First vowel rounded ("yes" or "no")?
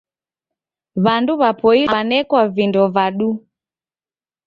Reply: no